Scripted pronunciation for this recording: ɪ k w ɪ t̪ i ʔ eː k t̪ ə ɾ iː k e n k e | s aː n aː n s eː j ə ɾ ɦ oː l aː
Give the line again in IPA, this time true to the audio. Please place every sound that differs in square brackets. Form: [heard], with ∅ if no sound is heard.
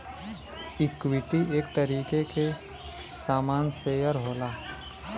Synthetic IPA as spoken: ɪ k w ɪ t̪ i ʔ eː k t̪ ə ɾ iː k e [∅] k e | s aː [m] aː n s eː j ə ɾ ɦ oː l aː